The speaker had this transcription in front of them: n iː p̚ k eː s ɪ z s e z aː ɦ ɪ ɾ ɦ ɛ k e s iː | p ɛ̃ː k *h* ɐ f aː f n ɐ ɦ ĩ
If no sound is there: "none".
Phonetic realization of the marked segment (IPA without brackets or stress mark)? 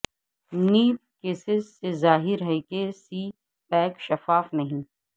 ʃ